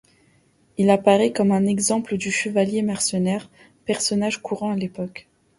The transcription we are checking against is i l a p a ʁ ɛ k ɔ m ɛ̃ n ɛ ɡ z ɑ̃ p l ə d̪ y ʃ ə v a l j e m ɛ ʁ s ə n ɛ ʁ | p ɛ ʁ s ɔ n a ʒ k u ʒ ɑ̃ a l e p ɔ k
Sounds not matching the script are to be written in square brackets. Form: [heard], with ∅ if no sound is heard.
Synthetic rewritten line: i l a p a ʁ ɛ k ɔ m ɛ̃ n ɛ ɡ z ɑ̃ p l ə d̪ y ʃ ə v a l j e m ɛ ʁ s ə n ɛ ʁ | p ɛ ʁ s ɔ n a ʒ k u [ʁ] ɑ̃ a l e p ɔ k